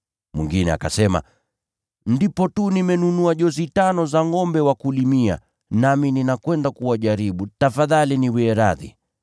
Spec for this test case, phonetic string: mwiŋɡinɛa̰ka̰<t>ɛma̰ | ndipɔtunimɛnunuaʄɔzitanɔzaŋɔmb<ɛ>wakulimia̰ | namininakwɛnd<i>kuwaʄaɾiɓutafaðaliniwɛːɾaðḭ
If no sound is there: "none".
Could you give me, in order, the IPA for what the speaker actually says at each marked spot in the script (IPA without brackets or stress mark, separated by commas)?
s, ɛ, a